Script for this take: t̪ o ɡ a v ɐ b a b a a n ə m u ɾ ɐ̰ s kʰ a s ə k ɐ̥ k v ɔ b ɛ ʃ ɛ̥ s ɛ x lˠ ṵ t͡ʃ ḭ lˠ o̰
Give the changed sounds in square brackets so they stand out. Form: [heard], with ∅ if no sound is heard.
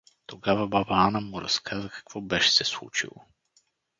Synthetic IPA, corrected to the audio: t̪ o ɡ a v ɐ b a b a a n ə m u ɾ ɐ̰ s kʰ a [z] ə k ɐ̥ k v ɔ b ɛ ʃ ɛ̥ s ɛ [s] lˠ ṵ t͡ʃ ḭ lˠ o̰